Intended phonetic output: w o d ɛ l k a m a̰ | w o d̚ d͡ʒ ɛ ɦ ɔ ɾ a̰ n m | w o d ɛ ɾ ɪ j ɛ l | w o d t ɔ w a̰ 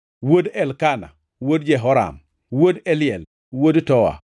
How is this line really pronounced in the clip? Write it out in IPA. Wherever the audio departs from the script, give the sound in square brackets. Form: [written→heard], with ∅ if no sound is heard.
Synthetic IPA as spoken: w o d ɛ l k a [m→n] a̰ | w o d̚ d͡ʒ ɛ ɦ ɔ ɾ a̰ [n→∅] m | w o d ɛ [ɾ→l] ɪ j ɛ l | w o d t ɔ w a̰